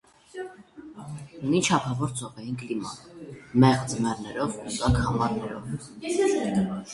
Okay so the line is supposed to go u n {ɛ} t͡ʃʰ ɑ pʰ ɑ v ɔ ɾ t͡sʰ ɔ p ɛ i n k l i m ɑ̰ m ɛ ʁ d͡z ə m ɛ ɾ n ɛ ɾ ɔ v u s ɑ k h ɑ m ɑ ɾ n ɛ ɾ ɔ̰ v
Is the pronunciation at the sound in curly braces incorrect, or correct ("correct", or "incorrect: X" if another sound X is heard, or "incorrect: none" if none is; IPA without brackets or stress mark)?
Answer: incorrect: i